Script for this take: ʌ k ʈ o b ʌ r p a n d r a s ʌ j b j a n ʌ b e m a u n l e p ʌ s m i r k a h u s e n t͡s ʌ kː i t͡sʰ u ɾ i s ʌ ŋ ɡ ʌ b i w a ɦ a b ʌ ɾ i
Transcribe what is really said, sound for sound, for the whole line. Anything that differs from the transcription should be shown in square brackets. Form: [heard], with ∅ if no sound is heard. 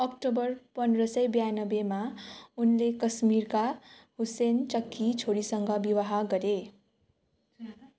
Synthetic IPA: ʌ k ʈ o b ʌ r p [ʌ] n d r [ʌ] s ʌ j b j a n ʌ b e m a u n l e [k] ʌ s m i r k a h u s e n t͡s ʌ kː i t͡sʰ [o] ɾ i s ʌ ŋ ɡ ʌ b i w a ɦ a [ɡ] ʌ ɾ [e]